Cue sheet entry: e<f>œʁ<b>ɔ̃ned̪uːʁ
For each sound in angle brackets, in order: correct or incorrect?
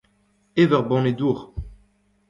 incorrect: v, correct

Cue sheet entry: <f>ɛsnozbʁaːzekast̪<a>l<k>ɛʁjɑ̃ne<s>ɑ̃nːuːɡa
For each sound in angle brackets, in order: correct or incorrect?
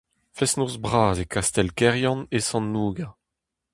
correct, incorrect: ɛ, correct, correct

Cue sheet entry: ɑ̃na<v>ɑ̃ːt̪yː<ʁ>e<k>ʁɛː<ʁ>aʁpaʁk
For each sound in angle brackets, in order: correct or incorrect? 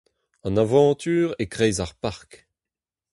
correct, correct, correct, incorrect: z

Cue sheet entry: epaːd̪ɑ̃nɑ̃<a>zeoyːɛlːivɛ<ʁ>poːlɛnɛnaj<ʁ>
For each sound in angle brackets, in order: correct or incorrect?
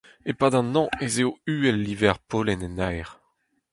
incorrect: e, correct, correct

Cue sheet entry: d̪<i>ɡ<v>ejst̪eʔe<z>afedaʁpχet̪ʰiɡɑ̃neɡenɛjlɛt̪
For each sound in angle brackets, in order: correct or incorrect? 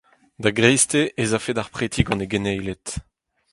incorrect: a, incorrect: ʁ, correct

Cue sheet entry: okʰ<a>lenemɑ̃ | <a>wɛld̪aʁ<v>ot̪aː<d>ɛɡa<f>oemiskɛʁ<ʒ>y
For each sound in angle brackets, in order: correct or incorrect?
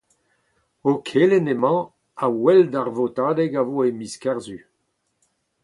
incorrect: e, correct, correct, correct, incorrect: v, incorrect: z

